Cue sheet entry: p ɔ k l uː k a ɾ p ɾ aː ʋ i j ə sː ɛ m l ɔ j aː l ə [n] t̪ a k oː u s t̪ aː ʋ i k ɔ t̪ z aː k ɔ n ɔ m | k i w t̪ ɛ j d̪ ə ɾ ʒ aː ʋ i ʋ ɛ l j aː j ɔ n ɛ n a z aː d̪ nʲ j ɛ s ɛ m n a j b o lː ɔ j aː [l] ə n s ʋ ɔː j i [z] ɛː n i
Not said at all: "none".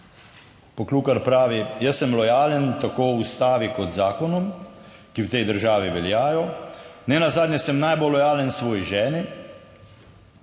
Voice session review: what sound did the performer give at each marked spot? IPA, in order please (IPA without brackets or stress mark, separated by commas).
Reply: n, l, ʒ